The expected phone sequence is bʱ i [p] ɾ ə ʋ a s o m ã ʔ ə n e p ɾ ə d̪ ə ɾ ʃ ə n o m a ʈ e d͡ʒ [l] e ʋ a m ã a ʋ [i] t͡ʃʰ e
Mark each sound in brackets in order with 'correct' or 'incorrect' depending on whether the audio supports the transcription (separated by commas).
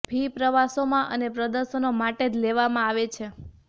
correct, correct, incorrect